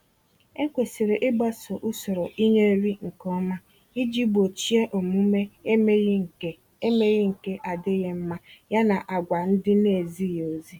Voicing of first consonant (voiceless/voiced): voiceless